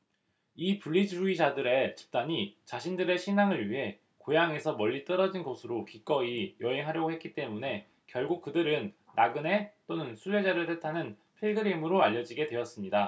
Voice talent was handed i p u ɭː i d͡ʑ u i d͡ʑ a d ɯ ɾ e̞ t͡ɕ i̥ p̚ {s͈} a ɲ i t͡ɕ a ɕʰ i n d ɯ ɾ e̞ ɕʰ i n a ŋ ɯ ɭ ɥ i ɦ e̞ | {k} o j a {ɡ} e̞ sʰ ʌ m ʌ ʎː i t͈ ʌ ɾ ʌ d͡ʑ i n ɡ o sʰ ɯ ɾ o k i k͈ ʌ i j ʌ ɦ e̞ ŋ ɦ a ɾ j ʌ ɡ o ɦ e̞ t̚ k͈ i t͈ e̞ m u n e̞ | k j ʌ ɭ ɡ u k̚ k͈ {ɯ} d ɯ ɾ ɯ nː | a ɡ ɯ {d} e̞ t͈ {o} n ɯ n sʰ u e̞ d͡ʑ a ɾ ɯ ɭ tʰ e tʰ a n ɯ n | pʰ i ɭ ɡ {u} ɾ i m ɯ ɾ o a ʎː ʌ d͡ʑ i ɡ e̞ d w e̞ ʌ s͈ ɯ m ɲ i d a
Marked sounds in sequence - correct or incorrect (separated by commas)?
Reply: incorrect, correct, incorrect, correct, incorrect, correct, incorrect